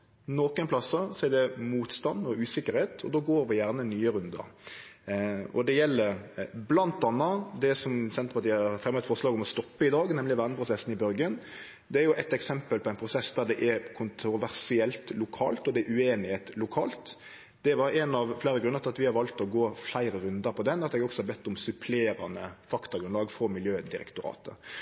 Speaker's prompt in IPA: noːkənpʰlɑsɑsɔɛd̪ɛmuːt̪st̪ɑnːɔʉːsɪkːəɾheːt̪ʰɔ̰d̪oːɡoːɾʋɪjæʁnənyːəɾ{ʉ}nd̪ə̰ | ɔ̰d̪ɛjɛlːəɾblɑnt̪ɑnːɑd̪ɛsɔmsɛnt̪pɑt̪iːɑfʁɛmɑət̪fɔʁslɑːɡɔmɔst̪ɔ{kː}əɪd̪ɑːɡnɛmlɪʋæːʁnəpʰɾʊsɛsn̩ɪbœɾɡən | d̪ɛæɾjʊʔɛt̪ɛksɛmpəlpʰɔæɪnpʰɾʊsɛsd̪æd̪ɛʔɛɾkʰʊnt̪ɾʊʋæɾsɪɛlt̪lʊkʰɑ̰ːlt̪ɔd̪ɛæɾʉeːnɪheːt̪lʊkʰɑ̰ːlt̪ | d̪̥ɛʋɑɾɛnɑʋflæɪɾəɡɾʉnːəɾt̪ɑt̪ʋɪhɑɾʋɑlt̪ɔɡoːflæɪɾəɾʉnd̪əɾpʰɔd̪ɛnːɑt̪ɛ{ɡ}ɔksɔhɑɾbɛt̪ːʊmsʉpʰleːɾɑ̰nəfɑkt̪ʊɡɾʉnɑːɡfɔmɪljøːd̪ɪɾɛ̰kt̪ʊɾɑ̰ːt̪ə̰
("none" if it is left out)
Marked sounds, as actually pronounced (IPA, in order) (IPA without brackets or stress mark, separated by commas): ʉ, pː, ɡ